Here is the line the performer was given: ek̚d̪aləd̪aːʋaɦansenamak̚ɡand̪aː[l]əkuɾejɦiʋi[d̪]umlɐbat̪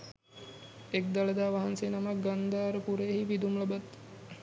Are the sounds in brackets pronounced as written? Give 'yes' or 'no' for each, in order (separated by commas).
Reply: no, yes